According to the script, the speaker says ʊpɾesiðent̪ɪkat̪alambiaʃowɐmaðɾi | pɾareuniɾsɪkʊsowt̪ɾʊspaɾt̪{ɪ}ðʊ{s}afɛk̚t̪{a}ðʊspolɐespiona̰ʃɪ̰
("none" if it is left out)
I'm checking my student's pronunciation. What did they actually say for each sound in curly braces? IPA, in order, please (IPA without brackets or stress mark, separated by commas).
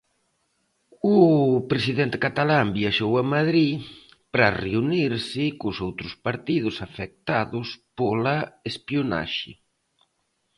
i, s, a